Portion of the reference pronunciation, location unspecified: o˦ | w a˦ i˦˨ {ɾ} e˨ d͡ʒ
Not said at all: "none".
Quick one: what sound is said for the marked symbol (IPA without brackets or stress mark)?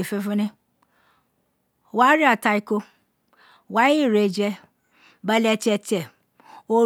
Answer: ɾ